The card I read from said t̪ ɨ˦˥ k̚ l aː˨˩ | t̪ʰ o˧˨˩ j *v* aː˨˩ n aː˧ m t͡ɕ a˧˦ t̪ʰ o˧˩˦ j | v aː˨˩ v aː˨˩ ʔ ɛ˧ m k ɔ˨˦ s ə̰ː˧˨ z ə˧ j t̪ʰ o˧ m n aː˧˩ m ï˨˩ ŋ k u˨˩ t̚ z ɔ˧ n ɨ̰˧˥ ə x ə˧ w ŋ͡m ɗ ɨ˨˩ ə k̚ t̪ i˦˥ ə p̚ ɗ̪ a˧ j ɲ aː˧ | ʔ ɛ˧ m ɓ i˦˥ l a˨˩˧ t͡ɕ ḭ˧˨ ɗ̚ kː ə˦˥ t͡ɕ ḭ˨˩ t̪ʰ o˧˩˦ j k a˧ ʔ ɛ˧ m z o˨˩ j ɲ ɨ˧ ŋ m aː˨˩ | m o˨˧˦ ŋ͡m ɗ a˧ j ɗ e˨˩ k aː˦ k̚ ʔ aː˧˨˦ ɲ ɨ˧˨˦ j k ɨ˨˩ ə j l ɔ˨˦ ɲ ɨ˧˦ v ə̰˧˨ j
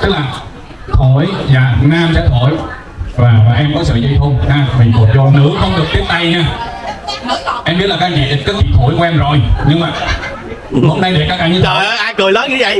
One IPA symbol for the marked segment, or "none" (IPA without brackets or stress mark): z